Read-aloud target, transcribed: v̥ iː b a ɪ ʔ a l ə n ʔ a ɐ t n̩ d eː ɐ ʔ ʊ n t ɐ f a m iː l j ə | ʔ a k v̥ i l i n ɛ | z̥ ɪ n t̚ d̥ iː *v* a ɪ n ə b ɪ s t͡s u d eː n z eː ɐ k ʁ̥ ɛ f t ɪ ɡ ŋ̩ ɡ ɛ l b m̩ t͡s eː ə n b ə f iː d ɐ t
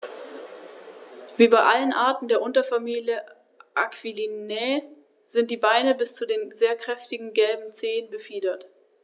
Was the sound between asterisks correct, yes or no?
no